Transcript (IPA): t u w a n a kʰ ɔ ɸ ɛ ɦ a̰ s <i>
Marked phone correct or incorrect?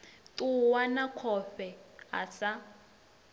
incorrect